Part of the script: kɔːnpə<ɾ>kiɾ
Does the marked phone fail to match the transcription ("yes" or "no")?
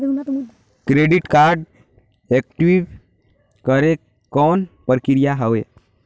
no